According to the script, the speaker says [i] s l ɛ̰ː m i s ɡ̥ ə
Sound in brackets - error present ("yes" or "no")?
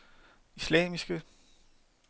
no